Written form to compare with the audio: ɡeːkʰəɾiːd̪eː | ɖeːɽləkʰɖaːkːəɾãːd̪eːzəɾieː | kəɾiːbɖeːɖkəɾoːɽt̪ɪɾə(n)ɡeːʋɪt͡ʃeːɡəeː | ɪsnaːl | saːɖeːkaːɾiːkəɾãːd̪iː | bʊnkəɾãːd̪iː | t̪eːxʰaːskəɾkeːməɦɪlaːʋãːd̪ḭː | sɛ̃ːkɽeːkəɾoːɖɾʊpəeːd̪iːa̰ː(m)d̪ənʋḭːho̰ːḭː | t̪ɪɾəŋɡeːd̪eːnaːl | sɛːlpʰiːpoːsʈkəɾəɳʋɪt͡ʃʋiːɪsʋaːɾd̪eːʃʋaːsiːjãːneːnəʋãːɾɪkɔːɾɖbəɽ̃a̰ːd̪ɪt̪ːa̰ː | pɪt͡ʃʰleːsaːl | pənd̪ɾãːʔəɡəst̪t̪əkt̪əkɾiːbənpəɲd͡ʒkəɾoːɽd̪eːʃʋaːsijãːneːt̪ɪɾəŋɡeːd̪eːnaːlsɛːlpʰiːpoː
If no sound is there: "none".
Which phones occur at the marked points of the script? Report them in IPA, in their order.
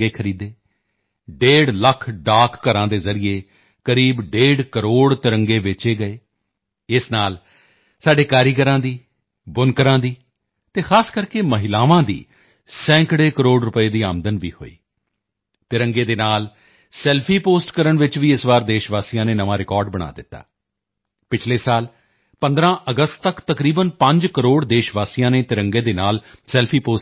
ŋ, m

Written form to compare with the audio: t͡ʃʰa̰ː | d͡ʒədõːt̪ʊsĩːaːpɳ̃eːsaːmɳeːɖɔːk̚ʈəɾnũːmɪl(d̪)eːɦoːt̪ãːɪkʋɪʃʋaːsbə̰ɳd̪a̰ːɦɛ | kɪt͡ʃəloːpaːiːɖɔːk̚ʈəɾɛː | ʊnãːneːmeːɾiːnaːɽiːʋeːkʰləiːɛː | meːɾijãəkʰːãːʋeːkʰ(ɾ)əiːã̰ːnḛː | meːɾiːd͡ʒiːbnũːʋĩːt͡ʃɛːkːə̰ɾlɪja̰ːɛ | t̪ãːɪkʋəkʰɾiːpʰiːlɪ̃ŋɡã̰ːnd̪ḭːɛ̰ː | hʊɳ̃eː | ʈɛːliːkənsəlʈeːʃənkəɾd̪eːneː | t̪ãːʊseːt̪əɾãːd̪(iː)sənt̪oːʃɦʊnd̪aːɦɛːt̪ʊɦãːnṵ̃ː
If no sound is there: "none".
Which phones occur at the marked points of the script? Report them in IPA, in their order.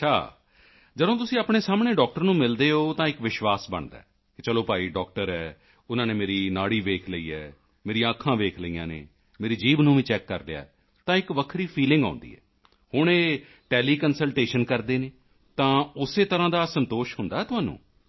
d̪, l, aː

